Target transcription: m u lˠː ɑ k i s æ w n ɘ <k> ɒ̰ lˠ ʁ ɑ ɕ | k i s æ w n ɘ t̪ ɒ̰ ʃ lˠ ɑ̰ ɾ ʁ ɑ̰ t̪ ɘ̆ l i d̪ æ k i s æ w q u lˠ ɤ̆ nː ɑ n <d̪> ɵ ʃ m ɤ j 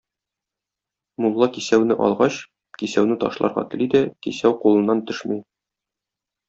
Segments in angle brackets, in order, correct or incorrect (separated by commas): incorrect, incorrect